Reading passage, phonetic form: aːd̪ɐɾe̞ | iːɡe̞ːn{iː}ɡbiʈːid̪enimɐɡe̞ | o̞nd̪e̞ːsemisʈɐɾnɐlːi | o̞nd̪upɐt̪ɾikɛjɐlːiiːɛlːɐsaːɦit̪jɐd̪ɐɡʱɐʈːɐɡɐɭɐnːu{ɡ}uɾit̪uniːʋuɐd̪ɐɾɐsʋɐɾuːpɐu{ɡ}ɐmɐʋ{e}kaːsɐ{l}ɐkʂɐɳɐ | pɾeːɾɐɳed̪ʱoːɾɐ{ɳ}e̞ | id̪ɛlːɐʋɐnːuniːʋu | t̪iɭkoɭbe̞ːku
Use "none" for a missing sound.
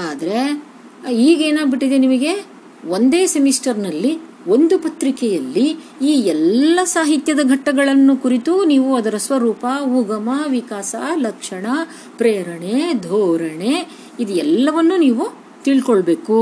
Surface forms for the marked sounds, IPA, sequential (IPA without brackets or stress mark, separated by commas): aː, k, ɡ, i, l, ɳ